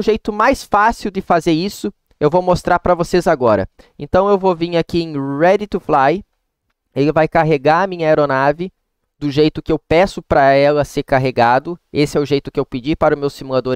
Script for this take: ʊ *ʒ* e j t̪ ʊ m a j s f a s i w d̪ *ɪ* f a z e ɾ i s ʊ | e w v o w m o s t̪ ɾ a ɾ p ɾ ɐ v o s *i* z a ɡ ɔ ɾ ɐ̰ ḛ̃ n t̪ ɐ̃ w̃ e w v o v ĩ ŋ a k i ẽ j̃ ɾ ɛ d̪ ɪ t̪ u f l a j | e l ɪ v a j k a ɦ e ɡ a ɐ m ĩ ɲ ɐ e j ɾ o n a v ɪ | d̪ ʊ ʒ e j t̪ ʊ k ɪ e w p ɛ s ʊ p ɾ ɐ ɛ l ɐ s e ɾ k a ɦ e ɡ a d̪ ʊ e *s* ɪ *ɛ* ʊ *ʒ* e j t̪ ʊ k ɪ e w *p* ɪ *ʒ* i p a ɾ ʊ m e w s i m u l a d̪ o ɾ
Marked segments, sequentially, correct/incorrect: correct, correct, incorrect, correct, correct, correct, correct, incorrect

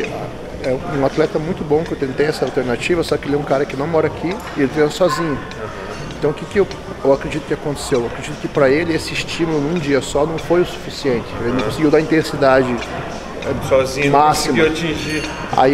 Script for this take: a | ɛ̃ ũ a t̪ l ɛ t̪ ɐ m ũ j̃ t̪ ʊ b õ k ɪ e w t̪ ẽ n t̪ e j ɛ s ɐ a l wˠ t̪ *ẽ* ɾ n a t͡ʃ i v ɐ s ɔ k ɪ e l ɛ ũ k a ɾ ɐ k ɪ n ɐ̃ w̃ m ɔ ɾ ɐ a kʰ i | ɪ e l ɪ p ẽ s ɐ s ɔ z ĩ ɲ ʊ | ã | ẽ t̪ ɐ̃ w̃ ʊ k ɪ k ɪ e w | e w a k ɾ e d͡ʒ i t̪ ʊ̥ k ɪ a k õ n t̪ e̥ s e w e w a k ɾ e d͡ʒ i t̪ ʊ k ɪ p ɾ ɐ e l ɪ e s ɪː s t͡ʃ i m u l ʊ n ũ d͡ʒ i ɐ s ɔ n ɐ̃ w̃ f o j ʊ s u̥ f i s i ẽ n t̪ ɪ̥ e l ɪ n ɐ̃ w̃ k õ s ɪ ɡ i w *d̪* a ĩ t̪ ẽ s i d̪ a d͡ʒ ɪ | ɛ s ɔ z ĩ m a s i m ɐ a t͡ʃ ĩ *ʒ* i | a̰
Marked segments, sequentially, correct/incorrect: incorrect, correct, correct

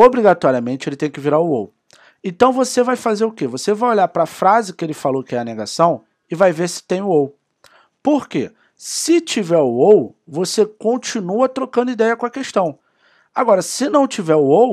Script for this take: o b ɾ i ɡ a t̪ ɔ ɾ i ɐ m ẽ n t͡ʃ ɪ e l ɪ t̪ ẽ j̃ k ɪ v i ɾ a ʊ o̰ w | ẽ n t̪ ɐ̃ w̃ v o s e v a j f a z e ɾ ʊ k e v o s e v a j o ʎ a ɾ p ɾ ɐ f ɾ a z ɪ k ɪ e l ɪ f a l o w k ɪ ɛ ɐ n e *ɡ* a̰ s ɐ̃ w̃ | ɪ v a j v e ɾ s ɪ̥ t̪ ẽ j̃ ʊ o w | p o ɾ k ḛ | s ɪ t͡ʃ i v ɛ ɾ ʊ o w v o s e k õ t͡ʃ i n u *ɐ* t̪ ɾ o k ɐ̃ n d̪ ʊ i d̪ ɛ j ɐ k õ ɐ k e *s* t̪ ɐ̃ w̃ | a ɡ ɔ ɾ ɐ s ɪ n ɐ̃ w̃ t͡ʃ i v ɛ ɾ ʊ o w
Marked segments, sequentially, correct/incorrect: correct, correct, incorrect

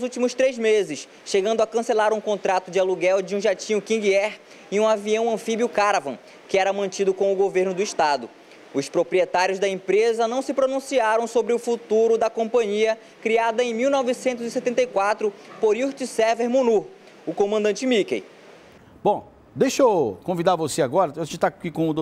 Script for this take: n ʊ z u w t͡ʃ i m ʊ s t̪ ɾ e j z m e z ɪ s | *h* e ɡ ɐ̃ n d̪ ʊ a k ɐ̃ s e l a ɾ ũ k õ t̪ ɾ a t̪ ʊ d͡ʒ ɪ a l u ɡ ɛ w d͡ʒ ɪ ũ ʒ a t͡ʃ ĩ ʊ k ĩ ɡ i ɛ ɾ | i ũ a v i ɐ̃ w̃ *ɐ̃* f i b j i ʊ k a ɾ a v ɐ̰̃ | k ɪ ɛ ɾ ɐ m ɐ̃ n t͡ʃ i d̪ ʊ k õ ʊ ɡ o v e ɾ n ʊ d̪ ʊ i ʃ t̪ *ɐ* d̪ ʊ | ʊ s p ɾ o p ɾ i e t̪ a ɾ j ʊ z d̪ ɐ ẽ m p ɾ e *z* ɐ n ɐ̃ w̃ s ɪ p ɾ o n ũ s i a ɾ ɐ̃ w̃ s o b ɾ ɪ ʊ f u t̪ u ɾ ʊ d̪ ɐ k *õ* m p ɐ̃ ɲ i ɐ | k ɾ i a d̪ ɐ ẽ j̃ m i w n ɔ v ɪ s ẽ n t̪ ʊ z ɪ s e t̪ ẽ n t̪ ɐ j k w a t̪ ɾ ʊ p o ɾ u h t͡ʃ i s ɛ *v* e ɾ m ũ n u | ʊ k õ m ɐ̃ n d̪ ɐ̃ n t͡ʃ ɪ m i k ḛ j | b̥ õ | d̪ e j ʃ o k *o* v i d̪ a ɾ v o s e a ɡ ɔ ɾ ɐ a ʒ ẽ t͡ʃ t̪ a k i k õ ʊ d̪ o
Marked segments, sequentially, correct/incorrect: incorrect, correct, incorrect, correct, correct, correct, incorrect

